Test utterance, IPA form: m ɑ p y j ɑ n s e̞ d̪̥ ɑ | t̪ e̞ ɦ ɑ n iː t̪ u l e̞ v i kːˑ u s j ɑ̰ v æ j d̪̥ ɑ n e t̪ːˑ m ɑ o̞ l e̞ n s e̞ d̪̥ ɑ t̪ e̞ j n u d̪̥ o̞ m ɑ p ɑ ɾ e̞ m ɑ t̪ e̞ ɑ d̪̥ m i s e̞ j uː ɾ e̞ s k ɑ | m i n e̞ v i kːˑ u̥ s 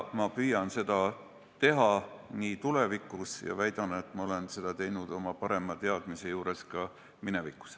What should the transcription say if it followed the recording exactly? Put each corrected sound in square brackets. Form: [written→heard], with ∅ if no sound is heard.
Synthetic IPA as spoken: m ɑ p y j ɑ n s e̞ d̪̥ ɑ | t̪ e̞ ɦ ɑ n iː t̪ u l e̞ v i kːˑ u s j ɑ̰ v æ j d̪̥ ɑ n e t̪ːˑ m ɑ o̞ l e̞ n s e̞ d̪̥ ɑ t̪ e̞ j n u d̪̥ o̞ m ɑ p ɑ ɾ e̞ m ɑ t̪ e̞ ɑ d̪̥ m i s e̞ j uː ɾ e̞ s k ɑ | m i n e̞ v i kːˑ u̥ s